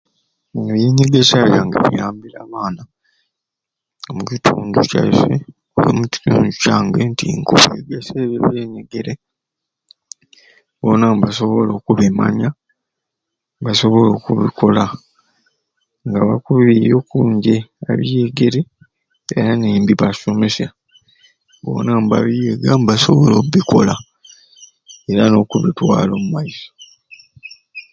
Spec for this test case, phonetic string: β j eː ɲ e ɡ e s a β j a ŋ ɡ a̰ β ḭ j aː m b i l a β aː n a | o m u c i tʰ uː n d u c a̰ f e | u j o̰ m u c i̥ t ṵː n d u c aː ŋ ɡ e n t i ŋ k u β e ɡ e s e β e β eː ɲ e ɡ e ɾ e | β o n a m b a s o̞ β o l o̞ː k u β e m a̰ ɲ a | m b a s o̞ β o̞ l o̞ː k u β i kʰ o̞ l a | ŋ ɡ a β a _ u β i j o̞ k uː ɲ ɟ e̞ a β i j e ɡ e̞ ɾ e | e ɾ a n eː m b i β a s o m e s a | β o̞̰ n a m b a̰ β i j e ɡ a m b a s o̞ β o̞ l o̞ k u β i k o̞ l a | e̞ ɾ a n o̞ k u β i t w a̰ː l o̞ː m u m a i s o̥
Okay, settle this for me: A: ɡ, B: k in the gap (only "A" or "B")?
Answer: B